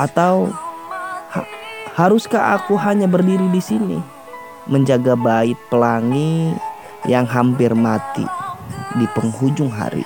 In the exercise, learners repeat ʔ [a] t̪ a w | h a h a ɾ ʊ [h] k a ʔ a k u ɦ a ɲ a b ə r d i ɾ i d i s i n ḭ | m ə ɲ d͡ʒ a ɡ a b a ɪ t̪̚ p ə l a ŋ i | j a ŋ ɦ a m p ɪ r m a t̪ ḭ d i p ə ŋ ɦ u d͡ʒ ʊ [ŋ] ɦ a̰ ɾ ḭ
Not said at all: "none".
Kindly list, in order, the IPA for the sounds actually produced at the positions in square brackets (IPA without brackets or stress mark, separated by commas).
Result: a, s, ŋ